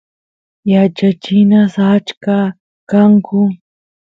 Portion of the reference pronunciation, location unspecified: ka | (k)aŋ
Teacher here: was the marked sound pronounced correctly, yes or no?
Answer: yes